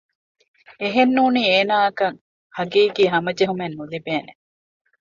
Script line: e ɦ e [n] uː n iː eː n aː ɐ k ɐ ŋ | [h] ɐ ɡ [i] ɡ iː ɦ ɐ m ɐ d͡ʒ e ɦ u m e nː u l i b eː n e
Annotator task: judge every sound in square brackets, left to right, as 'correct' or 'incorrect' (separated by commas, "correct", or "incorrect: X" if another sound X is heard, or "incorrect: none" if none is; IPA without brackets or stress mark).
incorrect: nː, correct, incorrect: iː